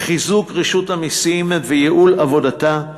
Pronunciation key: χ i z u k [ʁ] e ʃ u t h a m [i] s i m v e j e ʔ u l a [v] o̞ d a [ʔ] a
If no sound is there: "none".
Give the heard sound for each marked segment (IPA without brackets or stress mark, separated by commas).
ʁ, i, v, t